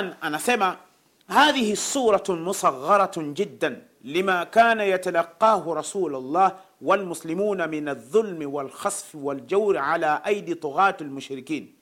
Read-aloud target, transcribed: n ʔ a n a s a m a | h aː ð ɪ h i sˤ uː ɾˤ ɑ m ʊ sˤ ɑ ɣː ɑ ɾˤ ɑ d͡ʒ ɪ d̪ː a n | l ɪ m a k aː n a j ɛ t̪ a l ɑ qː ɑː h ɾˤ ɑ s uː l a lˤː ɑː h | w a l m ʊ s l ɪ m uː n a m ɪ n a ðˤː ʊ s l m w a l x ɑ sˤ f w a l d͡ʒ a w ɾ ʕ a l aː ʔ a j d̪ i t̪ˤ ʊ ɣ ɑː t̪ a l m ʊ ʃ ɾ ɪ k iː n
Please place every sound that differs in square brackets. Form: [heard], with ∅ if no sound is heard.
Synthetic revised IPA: n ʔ a n a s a m a | h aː ð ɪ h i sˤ uː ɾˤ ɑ m ʊ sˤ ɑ ɣː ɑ ɾˤ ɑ d͡ʒ ɪ d̪ː a n | l ɪ m a k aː n a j [a] t̪ a l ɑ qː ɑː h ɾˤ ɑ s uː l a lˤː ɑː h | w a l m ʊ s l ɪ m uː n a m ɪ n a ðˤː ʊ [∅] l m w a l x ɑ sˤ f w a l d͡ʒ a w ɾ ʕ a l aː ʔ a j d̪ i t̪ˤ ʊ ɣ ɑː t̪ a l m ʊ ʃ ɾ ɪ k iː n